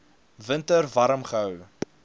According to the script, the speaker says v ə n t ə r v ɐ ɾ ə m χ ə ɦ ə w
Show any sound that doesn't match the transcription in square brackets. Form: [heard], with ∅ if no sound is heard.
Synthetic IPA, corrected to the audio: v ə n t ə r v ɐ ɾ ə m χ ə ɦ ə w